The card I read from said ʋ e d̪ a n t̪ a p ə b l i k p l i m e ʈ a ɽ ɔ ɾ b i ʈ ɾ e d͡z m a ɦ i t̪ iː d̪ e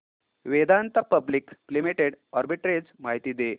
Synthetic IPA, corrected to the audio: ʋ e d̪ a n t̪ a p ə b l i k p l i m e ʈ e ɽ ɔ ɾ b i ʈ ɾ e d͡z m a ɦ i t̪ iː d̪ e